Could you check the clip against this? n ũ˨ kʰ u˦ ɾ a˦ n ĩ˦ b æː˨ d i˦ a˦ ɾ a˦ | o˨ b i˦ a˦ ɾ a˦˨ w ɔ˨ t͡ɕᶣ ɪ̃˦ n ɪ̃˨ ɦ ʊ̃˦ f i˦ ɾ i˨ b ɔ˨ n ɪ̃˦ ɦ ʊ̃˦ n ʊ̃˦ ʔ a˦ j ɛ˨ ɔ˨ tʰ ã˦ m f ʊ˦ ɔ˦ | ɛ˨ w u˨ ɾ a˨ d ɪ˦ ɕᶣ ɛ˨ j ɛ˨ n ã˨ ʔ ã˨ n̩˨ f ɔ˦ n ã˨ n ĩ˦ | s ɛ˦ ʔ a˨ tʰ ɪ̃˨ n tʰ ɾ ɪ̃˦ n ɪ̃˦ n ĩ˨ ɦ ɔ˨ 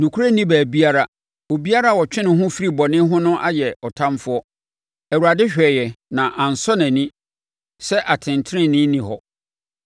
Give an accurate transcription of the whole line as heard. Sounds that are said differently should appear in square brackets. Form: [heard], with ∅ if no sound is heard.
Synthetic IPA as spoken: n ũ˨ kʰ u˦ ɾ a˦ n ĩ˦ b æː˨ [b] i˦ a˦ ɾ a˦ | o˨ b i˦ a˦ ɾ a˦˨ w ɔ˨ t͡ɕᶣ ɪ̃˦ n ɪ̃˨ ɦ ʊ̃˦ f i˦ ɾ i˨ b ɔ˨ n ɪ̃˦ ɦ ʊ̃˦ n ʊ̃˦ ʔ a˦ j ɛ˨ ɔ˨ tʰ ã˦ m f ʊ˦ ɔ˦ | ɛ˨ w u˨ ɾ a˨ d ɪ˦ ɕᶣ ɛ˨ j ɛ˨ n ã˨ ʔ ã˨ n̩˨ [s] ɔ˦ n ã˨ n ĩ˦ | s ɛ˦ ʔ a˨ tʰ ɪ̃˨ n tʰ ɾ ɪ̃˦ n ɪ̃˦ n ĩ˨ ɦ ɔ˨

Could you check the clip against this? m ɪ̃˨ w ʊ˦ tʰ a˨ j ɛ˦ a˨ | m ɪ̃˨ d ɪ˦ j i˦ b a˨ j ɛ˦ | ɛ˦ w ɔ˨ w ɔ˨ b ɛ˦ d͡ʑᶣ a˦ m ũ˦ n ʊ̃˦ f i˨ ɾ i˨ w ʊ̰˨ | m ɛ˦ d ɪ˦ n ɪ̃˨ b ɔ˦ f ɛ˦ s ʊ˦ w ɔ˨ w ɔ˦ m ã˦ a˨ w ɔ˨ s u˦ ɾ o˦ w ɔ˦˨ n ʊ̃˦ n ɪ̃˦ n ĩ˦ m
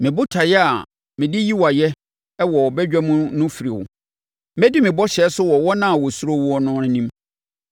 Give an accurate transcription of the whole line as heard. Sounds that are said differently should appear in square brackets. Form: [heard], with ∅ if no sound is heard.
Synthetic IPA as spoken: m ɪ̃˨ [b] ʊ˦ tʰ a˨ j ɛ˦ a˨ | m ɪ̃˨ d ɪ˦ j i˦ [w] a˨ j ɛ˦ | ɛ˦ w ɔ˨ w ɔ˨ b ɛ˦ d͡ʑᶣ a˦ m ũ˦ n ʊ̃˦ f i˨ ɾ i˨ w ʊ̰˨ | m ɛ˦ d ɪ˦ [m] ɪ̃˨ b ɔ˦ [ɕ] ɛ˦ s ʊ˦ w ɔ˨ w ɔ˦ [n] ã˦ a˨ w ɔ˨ s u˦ ɾ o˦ w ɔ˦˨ n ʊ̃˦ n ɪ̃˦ n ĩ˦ m

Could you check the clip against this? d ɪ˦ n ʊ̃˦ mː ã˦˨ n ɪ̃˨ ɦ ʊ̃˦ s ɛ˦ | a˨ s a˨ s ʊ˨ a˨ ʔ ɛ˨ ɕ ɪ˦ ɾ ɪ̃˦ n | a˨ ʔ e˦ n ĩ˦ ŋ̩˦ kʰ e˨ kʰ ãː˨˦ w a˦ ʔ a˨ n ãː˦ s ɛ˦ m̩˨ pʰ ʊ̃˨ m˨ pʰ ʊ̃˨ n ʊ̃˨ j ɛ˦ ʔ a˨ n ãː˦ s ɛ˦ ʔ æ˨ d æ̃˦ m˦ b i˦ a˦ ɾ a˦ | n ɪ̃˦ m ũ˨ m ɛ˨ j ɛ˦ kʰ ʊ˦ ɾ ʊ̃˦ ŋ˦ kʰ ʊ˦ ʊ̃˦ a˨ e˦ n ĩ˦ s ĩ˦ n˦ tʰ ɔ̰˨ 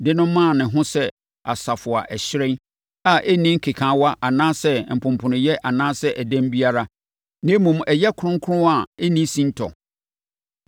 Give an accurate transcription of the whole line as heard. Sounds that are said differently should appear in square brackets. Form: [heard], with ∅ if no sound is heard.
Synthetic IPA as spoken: d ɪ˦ n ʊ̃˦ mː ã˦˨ n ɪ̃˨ ɦ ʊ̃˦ s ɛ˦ | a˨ s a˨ [f] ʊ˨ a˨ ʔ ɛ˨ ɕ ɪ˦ ɾ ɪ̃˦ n | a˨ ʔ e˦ n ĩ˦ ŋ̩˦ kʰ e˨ kʰ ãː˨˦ w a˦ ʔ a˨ n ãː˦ s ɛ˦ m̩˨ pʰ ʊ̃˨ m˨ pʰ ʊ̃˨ n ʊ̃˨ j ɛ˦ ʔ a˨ n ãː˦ s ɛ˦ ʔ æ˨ d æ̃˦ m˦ b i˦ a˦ ɾ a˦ | n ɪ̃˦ m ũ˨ m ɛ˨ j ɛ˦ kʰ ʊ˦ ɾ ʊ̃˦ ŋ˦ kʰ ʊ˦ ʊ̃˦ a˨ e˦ n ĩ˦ s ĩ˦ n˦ tʰ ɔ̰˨

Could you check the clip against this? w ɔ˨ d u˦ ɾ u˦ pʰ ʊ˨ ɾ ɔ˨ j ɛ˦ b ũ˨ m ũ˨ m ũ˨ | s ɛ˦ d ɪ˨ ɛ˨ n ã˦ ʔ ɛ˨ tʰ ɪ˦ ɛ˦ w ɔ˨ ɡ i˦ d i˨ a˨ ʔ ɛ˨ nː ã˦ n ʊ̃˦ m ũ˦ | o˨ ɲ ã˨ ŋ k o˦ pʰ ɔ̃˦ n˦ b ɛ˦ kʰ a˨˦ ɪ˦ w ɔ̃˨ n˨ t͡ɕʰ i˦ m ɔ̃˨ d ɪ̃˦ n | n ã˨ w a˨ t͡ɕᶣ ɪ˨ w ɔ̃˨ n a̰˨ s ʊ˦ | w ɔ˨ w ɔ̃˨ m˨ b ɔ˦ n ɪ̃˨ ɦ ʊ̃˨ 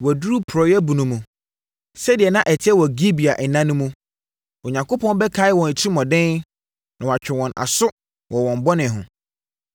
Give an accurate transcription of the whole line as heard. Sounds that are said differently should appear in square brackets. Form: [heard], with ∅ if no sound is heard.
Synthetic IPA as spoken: w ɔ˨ d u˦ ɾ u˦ pʰ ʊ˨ ɾ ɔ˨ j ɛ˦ b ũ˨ [n] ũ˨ m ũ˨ | s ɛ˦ d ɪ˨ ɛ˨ n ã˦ ʔ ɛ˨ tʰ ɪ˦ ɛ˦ w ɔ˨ ɡ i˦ [b] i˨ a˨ ʔ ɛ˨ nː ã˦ n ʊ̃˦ m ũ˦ | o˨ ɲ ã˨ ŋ k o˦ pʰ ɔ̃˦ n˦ b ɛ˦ kʰ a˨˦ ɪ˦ w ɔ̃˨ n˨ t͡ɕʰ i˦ m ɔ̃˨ d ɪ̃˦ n | n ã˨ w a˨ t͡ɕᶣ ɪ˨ w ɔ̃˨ n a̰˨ s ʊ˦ | w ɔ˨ w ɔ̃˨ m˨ b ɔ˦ n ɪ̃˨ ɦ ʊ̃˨

